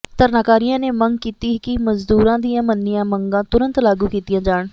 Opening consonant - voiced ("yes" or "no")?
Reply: no